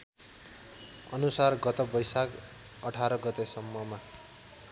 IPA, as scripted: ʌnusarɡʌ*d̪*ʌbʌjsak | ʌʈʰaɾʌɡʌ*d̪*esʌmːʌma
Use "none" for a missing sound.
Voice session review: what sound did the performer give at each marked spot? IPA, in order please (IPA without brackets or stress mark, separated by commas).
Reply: t̪, t̪